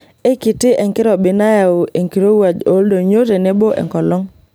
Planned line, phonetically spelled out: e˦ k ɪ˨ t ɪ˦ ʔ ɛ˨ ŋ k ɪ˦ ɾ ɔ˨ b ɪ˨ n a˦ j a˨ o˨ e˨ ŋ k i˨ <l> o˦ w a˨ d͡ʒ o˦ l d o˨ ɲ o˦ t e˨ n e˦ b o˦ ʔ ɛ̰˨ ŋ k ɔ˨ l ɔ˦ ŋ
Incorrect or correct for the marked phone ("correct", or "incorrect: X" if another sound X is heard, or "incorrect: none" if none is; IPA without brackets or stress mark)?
incorrect: ɾ